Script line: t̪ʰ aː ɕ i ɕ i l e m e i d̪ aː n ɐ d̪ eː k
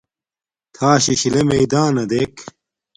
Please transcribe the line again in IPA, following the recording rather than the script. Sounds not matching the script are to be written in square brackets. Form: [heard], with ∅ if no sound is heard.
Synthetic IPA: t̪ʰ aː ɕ i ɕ i l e m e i d̪ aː n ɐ d̪ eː k